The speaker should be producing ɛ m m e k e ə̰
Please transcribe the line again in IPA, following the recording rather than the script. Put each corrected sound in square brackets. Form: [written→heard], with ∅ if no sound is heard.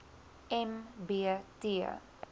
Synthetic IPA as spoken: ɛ m [m→b] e [k→t] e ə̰